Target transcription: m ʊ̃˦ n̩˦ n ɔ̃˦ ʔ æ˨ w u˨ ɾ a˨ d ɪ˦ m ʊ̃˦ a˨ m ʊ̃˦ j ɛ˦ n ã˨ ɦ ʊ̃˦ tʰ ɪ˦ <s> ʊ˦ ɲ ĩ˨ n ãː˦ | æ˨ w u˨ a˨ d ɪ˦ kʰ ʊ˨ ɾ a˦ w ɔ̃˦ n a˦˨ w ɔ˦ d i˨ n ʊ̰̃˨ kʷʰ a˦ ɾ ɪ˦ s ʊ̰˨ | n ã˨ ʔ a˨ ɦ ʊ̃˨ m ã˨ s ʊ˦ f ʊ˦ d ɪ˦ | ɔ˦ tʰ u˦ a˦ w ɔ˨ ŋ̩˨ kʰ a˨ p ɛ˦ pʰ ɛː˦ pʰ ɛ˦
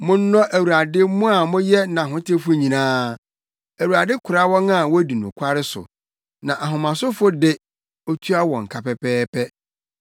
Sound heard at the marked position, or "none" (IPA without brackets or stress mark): f